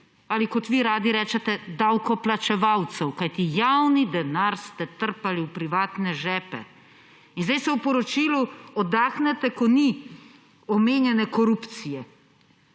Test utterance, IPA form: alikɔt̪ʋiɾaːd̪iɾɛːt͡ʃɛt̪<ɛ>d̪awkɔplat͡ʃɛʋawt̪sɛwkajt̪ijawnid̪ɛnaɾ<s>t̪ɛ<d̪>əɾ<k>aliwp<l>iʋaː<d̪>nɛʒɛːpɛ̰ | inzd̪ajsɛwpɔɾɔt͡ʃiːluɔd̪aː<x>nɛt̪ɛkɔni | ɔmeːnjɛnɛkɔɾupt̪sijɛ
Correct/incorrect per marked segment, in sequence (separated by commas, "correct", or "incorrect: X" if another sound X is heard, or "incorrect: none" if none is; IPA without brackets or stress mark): correct, correct, incorrect: t̪, incorrect: p, incorrect: ɾ, incorrect: t̪, correct